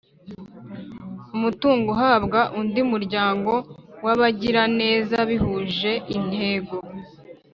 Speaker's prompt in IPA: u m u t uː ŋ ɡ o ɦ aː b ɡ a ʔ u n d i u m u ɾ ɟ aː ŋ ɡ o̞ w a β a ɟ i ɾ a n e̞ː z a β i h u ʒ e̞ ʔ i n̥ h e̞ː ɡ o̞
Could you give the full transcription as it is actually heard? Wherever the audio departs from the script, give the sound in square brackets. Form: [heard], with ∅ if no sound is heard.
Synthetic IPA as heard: u m u t uː ŋ ɡ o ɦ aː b ɡ a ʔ u n d i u m u ɾ ɟ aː ŋ ɡ o̞ w a β a ɟ i ɾ a n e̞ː z a β i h u ʒ e̞ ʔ i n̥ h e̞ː ɡ o̞